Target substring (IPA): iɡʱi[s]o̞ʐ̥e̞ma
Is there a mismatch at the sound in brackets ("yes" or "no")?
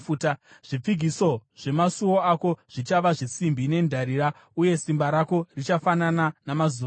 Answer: no